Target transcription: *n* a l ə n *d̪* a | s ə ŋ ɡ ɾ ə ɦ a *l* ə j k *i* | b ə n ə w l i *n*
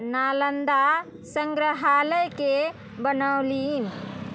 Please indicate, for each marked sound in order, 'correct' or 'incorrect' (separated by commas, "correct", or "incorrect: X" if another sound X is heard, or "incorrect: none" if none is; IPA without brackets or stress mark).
correct, correct, correct, incorrect: e, correct